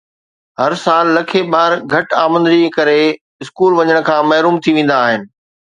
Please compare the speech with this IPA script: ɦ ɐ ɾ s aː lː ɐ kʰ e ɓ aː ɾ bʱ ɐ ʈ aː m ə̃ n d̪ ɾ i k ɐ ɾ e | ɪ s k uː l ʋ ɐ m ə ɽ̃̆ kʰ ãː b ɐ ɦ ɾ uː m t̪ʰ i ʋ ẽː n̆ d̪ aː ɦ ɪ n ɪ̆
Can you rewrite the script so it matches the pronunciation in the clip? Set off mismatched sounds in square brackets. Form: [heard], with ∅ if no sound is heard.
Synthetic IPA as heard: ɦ ɐ ɾ s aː lː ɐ kʰ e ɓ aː ɾ [ɡʱ] ɐ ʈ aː m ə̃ n d̪ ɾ i k ɐ ɾ e | ɪ s k uː l ʋ ɐ [ɲ] ə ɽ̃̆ kʰ ãː [m] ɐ ɦ ɾ uː m t̪ʰ i ʋ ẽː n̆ d̪ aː ɦ ɪ n ɪ̆